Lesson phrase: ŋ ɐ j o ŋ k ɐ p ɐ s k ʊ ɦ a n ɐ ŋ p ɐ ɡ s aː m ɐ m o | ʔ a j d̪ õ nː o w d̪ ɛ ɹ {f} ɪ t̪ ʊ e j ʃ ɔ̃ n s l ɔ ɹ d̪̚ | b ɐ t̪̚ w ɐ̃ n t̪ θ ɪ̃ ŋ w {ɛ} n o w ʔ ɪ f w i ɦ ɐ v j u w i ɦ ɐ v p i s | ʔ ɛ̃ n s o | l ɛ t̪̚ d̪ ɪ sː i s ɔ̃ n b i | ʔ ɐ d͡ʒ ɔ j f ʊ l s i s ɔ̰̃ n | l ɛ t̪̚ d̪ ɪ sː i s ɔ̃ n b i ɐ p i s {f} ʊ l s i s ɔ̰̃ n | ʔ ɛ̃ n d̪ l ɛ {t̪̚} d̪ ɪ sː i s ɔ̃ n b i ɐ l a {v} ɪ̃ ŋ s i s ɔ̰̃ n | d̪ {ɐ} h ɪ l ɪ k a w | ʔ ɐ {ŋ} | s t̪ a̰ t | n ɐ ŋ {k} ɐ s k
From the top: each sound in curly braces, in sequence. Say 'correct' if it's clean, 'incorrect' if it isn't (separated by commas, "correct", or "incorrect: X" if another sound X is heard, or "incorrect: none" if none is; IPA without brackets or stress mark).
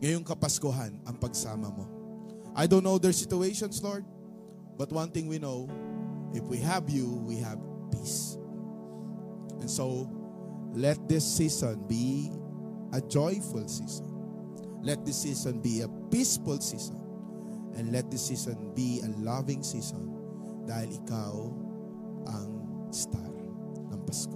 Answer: incorrect: s, incorrect: i, correct, correct, correct, incorrect: a, correct, incorrect: p